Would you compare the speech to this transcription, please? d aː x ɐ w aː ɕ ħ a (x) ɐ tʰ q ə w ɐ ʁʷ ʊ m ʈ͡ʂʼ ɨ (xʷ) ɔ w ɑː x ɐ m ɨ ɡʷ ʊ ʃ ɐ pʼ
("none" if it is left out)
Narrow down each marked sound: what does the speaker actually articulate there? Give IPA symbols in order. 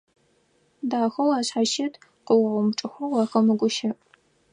ʃ, xʷ

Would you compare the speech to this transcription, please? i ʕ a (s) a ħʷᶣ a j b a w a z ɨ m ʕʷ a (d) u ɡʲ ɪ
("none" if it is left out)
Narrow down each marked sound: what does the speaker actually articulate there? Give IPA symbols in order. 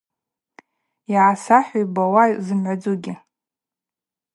s, d͡z

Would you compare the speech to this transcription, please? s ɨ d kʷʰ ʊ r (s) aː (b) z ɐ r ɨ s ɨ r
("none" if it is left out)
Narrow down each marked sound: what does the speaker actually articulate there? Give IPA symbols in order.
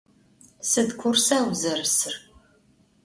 s, w

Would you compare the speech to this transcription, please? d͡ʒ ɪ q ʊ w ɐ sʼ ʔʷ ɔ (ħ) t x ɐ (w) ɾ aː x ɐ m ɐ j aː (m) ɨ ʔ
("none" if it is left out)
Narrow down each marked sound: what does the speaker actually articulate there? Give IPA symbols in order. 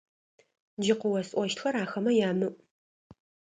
ʃ, none, m

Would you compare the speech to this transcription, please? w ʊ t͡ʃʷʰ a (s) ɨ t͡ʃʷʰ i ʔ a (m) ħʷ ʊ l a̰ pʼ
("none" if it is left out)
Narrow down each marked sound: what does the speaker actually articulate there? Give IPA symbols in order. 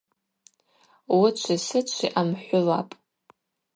s, m

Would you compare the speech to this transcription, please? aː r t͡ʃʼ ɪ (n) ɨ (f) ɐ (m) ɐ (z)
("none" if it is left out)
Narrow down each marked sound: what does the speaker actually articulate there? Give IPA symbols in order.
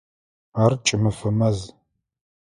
m, f, m, z

